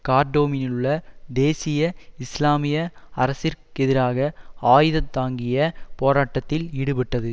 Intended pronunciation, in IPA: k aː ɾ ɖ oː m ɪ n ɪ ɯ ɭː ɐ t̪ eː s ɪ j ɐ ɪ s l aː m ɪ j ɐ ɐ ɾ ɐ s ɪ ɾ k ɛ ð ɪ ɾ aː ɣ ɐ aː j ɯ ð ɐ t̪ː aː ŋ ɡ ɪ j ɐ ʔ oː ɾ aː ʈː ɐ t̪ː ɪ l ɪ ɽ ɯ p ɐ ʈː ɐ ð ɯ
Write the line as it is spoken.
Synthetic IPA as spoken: k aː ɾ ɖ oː m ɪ n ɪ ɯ ɭː ɐ d̪ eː s ɪ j ɐ ɪ s l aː m ɪ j ɐ ɐ ɾ ɐ s ɪ ɾ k ɛ ð ɪ ɾ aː ɣ ɐ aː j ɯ ð ɐ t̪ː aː ŋ ɡ ɪ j ɐ p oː ɾ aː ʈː ɐ t̪ː ɪ l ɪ ɽ ɯ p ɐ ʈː ɐ ð ɯ